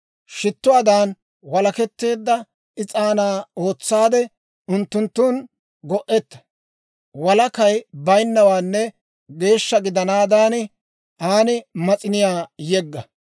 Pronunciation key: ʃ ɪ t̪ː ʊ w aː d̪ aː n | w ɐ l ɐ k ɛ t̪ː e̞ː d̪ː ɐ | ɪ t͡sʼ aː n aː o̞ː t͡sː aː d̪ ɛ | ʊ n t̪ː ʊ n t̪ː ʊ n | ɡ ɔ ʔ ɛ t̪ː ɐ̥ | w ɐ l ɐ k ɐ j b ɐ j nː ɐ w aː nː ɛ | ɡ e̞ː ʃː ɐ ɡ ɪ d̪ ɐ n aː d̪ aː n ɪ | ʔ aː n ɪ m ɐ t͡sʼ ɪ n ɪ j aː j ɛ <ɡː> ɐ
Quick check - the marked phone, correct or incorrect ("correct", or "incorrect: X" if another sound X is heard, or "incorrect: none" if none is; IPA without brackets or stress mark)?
correct